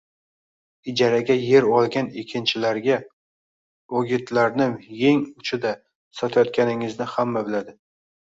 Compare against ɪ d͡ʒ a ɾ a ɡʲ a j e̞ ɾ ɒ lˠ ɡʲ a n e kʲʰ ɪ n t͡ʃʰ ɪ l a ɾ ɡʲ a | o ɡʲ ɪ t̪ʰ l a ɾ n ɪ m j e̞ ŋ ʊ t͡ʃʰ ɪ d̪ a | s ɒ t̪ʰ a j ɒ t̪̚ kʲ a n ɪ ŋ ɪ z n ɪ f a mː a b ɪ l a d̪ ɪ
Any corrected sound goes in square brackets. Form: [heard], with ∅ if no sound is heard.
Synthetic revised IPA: ɪ d͡ʒ a ɾ a ɡʲ a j e̞ ɾ ɒ lˠ ɡʲ a n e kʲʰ ɪ n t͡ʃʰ ɪ l a ɾ ɡʲ a | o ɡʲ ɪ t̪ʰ l a ɾ n ɪ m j e̞ ŋ ʊ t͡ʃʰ ɪ d̪ a | s ɒ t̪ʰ a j ɒ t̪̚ kʲ a n ɪ ŋ ɪ z n ɪ [h] a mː a b ɪ l a d̪ ɪ